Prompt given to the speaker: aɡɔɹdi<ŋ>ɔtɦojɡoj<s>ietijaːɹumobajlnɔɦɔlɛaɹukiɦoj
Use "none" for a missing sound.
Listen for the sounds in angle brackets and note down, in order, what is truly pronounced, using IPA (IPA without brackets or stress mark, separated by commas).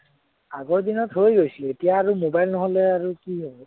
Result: n, s